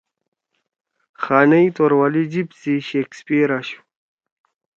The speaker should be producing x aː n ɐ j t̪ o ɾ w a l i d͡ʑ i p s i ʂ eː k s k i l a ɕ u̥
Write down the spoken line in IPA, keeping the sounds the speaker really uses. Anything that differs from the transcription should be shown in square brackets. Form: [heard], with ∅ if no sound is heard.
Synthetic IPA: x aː n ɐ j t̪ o ɾ w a l i d͡ʑ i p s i [ɕ] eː k s [p] i [ɾ] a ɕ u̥